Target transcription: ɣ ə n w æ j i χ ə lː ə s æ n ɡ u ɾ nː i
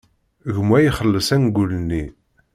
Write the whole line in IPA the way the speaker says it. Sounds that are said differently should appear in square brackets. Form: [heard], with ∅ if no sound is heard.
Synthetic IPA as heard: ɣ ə [m] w æ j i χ ə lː ə s æ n ɡ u [l] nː i